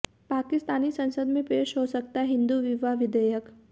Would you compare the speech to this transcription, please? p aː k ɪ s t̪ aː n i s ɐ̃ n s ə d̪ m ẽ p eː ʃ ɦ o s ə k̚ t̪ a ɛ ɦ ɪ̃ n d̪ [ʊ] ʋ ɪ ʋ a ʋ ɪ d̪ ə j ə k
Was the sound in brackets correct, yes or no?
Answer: no